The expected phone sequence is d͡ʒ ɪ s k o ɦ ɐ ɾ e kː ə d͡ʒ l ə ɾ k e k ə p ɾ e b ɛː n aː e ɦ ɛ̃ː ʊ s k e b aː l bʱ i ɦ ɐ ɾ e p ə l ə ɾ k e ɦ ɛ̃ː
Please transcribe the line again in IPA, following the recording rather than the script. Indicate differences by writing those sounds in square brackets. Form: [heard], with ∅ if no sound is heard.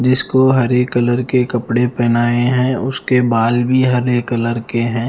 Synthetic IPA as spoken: d͡ʒ ɪ s k o ɦ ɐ ɾ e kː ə [∅] l ə ɾ k e k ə p [ɽ] e [p] ɛː n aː e ɦ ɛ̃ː ʊ s k e b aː l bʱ i ɦ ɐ ɾ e [k] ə l ə ɾ k e ɦ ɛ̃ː